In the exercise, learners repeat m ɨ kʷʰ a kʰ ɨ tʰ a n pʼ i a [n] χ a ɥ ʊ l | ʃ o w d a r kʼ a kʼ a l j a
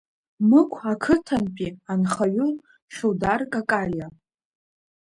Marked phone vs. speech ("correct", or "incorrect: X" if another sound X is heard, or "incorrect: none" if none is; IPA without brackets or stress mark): correct